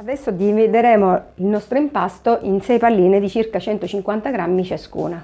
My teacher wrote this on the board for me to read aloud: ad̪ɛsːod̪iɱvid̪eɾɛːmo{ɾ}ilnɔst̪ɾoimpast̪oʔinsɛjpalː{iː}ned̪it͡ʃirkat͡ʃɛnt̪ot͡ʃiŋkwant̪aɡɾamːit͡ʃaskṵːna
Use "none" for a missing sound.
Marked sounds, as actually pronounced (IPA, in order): none, iː

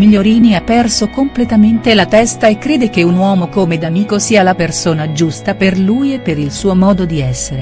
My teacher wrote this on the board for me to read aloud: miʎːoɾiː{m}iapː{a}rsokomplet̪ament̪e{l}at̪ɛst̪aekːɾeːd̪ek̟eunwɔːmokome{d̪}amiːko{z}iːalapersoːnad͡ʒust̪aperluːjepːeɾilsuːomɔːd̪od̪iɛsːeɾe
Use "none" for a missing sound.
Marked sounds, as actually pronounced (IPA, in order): n, ɛ, l, d̪, s

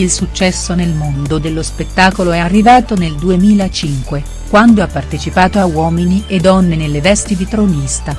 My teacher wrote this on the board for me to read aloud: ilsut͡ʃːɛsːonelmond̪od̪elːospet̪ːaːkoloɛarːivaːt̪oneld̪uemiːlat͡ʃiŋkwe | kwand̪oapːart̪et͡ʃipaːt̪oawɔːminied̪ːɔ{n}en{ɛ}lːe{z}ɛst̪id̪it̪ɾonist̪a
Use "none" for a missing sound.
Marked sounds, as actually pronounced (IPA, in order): nː, e, v

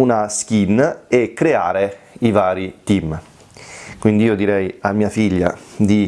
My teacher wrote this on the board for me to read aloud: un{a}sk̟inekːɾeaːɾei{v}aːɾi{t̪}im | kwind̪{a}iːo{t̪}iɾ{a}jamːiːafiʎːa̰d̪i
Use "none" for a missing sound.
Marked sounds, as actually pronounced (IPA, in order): a, v, t̪, i, d̪, ɛ

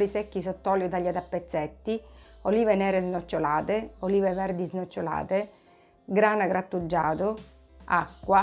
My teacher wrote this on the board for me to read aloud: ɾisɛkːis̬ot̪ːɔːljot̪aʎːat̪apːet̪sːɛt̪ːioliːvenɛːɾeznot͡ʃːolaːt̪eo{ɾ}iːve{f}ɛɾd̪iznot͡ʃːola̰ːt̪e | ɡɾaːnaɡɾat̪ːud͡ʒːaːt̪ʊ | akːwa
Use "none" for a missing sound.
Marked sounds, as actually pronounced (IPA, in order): l, v

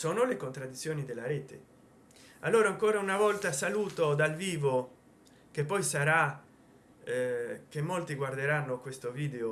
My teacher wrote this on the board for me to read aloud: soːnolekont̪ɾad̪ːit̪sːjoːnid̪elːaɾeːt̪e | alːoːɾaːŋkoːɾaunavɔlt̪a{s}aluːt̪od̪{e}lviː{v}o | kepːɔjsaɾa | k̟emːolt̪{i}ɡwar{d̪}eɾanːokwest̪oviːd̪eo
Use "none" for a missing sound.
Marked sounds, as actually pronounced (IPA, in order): s, a, v, i, d̪

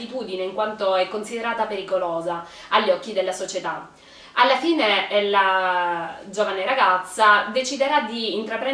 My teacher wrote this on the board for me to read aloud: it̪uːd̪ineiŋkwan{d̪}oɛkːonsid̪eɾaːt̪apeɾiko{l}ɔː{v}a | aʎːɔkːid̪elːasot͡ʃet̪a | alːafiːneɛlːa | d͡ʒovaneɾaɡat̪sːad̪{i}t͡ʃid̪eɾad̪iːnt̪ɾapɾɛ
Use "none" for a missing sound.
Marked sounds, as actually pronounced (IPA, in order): t̪, l, z, e

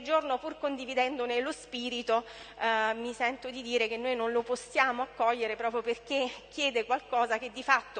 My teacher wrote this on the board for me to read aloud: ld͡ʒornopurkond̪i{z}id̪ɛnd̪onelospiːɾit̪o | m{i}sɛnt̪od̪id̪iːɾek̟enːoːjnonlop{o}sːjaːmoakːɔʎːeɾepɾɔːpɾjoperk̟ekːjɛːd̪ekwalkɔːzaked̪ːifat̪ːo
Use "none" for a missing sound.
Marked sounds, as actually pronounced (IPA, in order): v, i, o

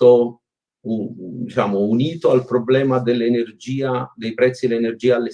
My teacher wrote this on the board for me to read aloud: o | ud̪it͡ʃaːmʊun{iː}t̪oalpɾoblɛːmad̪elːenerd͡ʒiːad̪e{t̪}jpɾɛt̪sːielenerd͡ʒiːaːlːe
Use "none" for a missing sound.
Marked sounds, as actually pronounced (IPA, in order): iː, none

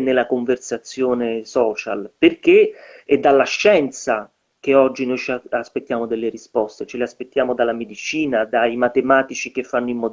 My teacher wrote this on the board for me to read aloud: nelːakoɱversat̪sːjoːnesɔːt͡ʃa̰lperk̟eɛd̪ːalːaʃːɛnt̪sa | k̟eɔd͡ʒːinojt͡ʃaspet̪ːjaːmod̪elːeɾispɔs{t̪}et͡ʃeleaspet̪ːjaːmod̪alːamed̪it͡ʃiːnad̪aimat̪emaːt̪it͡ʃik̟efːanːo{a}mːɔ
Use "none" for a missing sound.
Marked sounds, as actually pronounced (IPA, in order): t̪, i

